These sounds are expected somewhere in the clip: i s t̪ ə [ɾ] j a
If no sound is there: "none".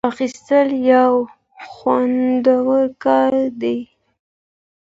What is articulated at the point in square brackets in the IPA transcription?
l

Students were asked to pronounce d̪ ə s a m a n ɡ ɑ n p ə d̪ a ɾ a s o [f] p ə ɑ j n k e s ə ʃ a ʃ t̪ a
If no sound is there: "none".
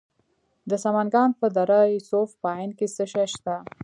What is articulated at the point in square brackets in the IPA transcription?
f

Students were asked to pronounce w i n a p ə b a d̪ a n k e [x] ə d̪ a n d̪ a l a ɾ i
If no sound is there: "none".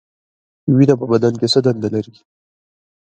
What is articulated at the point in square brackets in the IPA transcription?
s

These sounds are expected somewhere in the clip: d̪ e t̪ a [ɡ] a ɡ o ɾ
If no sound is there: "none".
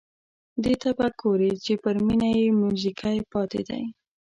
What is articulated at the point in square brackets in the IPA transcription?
b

